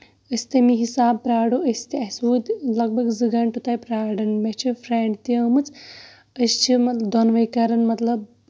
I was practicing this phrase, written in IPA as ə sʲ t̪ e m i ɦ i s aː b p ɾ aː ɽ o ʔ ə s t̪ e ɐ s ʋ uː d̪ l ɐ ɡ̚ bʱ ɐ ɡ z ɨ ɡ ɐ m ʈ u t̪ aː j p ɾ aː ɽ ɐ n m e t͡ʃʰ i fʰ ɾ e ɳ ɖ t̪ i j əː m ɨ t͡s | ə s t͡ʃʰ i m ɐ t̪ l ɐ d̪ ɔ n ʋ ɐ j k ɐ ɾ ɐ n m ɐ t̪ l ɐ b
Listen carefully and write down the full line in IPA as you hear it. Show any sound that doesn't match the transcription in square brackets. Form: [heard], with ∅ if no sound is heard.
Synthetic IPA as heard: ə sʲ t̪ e m i ɦ i s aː b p ɾ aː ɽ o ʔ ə s t̪ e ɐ s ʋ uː d̪ l ɐ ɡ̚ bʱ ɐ ɡ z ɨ ɡ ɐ [ɳ] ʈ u t̪ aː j p ɾ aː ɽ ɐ n m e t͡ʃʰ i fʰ ɾ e ɳ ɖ t̪ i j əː m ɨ t͡s | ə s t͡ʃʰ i m ɐ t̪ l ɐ d̪ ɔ n ʋ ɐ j k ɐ ɾ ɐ n m ɐ t̪ l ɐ b